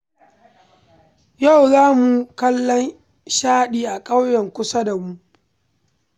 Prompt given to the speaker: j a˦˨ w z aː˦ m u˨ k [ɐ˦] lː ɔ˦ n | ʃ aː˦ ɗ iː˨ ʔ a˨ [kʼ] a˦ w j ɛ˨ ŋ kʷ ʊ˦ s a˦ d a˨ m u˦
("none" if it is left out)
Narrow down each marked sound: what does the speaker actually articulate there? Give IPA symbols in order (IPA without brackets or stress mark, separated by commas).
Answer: ɐ˦, kʼ